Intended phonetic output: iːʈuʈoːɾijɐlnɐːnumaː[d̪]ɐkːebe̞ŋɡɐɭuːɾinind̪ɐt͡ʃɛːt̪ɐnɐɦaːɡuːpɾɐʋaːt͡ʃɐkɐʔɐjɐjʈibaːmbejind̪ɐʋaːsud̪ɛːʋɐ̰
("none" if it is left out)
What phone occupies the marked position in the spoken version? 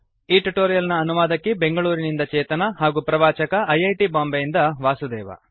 d̪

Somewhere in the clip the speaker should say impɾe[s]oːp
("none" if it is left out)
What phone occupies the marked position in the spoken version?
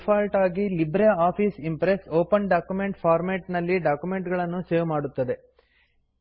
s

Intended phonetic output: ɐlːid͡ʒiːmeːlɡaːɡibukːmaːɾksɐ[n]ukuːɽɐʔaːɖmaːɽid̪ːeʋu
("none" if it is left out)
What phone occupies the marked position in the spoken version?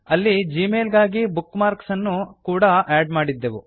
nː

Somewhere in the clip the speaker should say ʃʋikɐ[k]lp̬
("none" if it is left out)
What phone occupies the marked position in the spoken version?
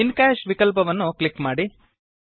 none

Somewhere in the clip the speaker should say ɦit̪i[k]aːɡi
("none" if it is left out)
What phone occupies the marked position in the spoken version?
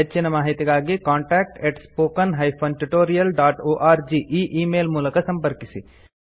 ɡ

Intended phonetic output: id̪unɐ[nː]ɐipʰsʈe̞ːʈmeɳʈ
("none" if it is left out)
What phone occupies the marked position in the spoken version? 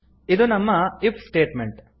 mː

